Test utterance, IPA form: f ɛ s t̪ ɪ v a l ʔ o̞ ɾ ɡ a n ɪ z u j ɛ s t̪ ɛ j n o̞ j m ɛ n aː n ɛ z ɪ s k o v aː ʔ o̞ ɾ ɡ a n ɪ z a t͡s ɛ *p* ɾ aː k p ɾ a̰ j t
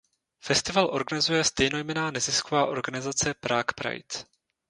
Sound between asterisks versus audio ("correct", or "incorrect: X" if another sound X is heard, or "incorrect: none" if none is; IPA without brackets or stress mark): correct